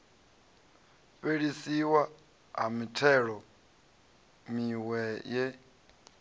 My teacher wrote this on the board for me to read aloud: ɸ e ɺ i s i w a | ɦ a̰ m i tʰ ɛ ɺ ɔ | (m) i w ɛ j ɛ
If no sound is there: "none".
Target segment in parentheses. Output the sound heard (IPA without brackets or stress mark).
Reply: m